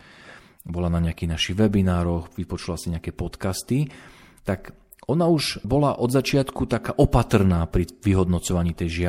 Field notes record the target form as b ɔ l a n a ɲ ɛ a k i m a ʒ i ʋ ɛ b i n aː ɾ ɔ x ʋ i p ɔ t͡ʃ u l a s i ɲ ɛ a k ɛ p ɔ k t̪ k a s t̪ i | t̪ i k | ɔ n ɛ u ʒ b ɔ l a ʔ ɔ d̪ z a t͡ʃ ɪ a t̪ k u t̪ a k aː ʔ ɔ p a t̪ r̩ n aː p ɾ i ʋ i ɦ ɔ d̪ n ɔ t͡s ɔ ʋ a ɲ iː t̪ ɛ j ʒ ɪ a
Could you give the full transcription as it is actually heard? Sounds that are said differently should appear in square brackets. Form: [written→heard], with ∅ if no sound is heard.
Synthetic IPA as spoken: b ɔ l a n a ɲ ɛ a k i [m→n] a [ʒ→ʃ] i ʋ ɛ b i n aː ɾ ɔ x ʋ i p ɔ t͡ʃ u l a s i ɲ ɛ a k ɛ p ɔ [k→∅] t̪ k a s t̪ i | t̪ [i→a] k | ɔ n [ɛ→a] u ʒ b ɔ l a ʔ ɔ d̪ z a t͡ʃ ɪ a t̪ k u t̪ a k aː ʔ ɔ p a t̪ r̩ n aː p ɾ i ʋ i ɦ ɔ d̪ n ɔ t͡s ɔ ʋ a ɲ iː t̪ ɛ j ʒ ɪ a